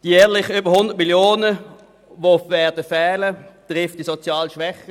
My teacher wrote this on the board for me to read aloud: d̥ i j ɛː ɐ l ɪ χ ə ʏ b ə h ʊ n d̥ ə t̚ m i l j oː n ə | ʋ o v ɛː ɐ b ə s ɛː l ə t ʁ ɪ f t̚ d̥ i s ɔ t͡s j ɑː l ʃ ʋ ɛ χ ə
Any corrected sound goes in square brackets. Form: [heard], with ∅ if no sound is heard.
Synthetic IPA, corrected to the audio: d̥ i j ɛː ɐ l ɪ χ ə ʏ b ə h ʊ n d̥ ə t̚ m i l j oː n ə | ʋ o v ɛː ɐ [d] ə [f] ɛː l ə t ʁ ɪ f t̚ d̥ i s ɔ t͡s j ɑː l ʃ ʋ ɛ χ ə